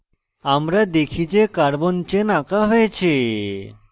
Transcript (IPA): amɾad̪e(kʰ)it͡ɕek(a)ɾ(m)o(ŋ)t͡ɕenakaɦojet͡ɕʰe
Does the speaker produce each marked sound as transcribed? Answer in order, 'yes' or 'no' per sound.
yes, yes, no, no

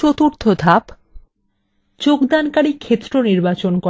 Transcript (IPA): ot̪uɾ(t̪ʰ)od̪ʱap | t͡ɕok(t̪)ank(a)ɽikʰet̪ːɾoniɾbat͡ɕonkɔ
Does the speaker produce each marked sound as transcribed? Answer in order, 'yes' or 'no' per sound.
yes, no, yes

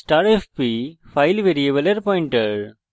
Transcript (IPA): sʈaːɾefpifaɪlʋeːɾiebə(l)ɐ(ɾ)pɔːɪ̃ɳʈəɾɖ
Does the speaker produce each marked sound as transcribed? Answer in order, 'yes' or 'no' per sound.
yes, yes

